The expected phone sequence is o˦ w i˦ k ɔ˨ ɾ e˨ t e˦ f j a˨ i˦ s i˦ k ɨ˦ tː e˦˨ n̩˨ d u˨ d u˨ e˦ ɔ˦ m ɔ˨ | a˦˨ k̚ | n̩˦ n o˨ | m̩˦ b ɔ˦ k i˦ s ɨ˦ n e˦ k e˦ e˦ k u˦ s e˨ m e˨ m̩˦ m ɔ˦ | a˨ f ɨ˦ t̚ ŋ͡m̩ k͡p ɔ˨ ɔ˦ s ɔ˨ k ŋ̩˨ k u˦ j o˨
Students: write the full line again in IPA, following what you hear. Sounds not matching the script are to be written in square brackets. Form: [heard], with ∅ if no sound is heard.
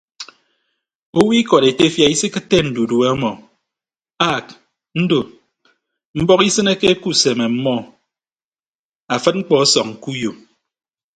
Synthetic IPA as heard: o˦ w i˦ k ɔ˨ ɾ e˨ t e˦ f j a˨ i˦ s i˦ k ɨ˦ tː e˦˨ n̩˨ d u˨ d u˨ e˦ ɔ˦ m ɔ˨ | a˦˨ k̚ | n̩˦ [d] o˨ | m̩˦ b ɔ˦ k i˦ s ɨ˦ n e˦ k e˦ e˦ k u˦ s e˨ m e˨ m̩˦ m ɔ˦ | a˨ f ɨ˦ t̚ ŋ͡m̩ k͡p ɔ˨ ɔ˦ s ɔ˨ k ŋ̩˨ k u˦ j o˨